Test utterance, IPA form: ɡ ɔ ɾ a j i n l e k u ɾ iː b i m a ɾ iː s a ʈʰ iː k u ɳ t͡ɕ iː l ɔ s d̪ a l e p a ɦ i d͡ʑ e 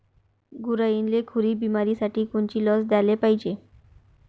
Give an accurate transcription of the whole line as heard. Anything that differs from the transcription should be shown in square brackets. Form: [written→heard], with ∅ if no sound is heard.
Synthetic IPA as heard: ɡ [ɔ→u] ɾ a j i n l e [k→kʰ] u ɾ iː b i m a ɾ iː s a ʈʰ iː k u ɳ t͡ɕ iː l ɔ s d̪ a l e p a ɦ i d͡ʑ e

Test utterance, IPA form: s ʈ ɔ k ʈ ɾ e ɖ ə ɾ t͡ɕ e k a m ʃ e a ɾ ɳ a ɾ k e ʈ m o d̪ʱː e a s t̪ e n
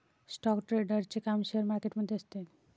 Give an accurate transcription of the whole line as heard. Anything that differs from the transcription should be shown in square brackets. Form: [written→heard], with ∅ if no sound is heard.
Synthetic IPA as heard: s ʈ ɔ k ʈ ɾ e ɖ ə ɾ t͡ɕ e k a m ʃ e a ɾ [ɳ→m] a ɾ k e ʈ m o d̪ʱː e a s t̪ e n

